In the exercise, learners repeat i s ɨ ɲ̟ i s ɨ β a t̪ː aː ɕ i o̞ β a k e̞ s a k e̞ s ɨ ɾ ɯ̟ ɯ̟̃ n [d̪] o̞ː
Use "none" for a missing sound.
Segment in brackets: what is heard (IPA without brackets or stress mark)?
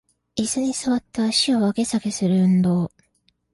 d̪